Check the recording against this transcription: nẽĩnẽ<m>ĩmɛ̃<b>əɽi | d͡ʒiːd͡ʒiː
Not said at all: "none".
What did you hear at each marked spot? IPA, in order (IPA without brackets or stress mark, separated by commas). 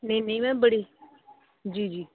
none, b